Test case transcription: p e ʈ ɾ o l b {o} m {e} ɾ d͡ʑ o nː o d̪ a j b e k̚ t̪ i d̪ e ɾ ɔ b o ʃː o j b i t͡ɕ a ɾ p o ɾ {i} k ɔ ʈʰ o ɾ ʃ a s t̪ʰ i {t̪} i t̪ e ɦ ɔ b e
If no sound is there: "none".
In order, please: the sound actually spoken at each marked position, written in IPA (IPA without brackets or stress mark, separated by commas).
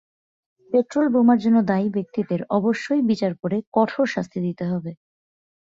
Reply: o, a, e, d̪